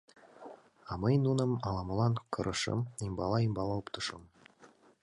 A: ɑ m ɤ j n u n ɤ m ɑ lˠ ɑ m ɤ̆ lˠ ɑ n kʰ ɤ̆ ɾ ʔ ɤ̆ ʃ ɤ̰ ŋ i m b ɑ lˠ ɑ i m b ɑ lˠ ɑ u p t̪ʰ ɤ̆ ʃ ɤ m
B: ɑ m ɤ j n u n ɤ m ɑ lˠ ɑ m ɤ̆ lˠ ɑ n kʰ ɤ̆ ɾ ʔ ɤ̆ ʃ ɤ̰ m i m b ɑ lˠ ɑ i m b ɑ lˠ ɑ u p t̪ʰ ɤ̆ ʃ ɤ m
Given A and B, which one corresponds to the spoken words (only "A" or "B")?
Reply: B